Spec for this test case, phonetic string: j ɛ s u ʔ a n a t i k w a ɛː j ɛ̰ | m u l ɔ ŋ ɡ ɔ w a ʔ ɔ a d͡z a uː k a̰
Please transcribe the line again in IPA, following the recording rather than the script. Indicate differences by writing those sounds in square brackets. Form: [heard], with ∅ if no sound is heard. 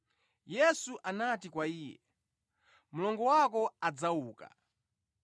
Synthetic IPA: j ɛ s u ʔ a n a t i k w a [iː] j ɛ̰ | m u l ɔ ŋ ɡ ɔ w a [k] ɔ a d͡z a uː k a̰